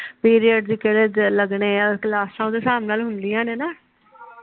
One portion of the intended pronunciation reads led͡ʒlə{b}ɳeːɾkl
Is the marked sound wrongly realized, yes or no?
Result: yes